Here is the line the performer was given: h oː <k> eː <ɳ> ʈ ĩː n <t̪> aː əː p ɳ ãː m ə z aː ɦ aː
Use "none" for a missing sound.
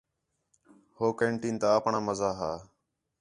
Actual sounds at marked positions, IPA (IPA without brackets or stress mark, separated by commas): k, ɳ, t̪